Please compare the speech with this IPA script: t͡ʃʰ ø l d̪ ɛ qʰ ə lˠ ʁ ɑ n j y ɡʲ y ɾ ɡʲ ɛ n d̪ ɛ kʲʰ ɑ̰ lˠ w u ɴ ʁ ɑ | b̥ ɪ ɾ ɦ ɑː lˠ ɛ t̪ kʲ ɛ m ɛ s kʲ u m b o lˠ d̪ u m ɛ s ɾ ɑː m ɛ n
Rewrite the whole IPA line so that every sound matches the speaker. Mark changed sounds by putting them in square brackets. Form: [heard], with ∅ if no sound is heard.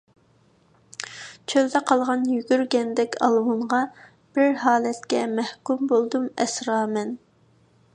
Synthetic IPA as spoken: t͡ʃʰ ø l d̪ ɛ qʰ [ɑ] lˠ ʁ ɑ n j y ɡʲ y ɾ ɡʲ ɛ n d̪ ɛ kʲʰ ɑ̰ lˠ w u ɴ ʁ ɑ | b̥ ɪ ɾ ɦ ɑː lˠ ɛ t̪ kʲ ɛ m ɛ [h] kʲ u m b o lˠ d̪ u m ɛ s ɾ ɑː m ɛ n